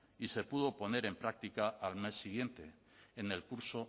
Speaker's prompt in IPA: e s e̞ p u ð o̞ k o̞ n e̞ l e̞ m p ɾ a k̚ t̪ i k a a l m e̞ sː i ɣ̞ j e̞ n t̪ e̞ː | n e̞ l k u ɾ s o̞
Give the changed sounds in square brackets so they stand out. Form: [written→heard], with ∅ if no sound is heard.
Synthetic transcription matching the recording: [e→i] s e̞ p u ð o̞ [k→p] o̞ n e̞ [l→ɾ] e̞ m p ɾ a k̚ t̪ i k a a l m e̞ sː i ɣ̞ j e̞ n t̪ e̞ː | n e̞ l k u ɾ s o̞